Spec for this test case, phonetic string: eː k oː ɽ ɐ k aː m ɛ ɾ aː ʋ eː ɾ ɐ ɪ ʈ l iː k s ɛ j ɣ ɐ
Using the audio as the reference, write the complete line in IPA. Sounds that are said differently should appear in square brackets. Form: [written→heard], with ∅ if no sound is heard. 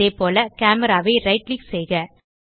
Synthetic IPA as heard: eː [k→p] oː [ɽ→l] ɐ k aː m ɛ ɾ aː ʋ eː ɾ ɐ ɪ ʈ l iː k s ɛ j ɣ ɐ